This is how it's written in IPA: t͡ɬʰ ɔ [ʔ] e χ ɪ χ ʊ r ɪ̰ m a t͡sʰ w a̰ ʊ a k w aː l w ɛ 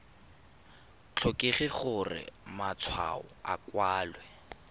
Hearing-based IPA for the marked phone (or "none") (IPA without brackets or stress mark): k